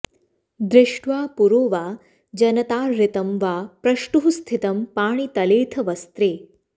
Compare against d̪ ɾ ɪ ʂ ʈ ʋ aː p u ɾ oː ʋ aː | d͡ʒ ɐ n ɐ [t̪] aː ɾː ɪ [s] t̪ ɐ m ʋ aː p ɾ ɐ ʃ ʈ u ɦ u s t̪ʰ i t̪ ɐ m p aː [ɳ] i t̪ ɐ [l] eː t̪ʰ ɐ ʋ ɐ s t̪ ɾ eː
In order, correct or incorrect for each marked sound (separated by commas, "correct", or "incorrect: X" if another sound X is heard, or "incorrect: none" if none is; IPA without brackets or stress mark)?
correct, incorrect: none, correct, correct